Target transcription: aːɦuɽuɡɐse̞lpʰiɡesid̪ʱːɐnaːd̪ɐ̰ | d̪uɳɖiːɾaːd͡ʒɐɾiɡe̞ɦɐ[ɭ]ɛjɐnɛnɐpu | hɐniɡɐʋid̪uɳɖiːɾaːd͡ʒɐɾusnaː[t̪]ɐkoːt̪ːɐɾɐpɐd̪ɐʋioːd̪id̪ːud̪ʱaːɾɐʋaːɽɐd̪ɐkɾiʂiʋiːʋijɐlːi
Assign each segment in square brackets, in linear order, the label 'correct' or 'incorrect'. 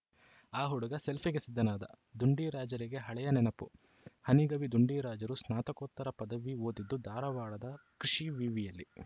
correct, correct

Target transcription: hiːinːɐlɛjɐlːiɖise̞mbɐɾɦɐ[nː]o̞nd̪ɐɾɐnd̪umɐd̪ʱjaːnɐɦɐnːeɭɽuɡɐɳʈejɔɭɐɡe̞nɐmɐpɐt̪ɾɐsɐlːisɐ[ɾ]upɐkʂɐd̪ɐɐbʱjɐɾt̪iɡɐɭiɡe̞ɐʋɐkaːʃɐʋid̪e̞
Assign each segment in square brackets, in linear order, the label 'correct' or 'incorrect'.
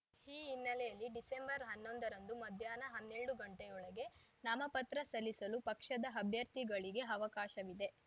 correct, incorrect: l

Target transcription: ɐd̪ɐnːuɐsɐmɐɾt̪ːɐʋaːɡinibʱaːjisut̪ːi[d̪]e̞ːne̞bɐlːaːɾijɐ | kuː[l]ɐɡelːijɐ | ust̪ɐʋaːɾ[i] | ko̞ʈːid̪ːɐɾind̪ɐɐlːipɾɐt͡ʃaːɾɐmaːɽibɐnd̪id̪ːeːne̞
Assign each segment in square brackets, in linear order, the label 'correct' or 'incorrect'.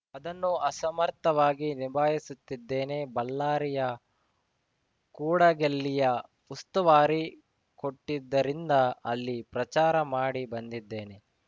incorrect: d̪ː, incorrect: ɽ, correct

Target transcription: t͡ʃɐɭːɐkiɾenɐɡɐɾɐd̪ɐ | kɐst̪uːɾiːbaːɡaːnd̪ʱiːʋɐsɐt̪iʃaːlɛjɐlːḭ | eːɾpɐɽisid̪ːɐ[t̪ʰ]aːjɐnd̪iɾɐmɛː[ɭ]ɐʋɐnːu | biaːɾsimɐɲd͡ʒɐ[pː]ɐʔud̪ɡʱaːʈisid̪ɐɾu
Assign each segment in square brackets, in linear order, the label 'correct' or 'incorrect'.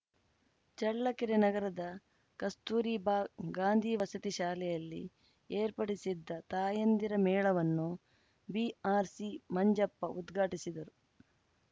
incorrect: t̪, correct, correct

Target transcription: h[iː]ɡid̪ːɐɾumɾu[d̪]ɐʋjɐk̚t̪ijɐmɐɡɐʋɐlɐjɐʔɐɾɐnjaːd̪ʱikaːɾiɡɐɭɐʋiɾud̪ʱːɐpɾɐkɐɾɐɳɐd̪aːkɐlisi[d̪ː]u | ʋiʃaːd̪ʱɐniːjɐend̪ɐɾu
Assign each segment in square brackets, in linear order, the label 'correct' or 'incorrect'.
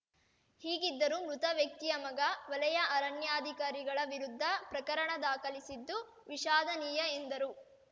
correct, incorrect: t̪, correct

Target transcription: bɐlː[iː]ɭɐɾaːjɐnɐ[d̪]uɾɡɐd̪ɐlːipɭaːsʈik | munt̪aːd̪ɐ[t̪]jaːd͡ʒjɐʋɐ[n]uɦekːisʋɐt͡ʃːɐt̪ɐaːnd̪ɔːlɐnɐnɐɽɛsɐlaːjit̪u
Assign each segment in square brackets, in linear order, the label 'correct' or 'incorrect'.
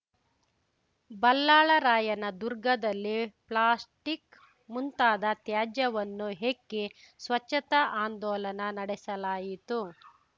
incorrect: aː, correct, correct, incorrect: nː

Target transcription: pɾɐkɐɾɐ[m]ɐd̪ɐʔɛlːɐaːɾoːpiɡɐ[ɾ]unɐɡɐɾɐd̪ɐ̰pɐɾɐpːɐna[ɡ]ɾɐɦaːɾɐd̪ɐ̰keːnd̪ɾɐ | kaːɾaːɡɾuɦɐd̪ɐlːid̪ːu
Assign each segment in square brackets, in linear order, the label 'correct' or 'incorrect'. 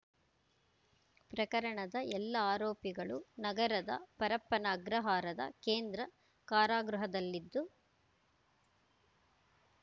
incorrect: ɳ, incorrect: ɭ, correct

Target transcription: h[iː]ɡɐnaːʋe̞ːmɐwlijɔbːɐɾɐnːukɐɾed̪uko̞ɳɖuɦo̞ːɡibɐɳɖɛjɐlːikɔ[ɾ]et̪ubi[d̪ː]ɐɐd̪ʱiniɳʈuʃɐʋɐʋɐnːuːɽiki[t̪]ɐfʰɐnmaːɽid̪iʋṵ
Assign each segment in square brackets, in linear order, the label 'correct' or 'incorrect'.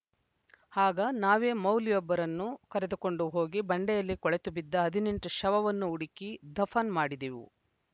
incorrect: aː, incorrect: ɭ, correct, incorrect: d̪

